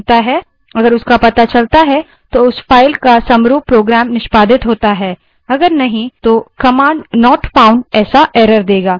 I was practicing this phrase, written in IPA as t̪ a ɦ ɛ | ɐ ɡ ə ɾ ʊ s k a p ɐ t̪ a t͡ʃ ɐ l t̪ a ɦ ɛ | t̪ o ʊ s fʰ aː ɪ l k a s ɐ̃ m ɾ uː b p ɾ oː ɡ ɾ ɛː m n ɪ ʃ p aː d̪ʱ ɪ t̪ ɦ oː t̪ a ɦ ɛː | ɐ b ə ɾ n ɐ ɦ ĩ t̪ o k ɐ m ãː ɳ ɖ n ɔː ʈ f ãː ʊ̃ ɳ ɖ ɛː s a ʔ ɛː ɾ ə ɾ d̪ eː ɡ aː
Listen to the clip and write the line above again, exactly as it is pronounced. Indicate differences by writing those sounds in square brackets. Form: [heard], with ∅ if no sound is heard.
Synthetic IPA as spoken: t̪ a ɦ ɛ | ɐ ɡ ə ɾ ʊ s k a p ɐ t̪ a t͡ʃ ɐ l t̪ a ɦ ɛ | t̪ o ʊ s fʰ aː ɪ l k a s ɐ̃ m ɾ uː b p ɾ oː ɡ ɾ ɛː m n ɪ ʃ p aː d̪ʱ ɪ t̪ ɦ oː t̪ a ɦ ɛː | ɐ [ɡ] ə ɾ n ɐ ɦ ĩ t̪ o k ɐ m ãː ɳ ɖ n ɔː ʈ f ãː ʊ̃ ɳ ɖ ɛː s a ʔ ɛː ɾ ə ɾ d̪ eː ɡ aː